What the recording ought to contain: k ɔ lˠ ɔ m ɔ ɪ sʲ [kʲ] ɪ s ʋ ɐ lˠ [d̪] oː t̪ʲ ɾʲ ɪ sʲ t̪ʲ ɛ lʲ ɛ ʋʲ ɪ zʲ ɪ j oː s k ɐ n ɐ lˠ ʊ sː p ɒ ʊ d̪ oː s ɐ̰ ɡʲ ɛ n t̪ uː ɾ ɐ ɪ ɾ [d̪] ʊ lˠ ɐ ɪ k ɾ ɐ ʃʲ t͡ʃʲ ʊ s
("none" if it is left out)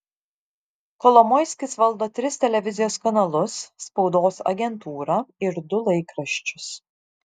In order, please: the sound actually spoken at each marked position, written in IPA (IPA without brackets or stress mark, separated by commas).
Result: kʲ, d̪, d̪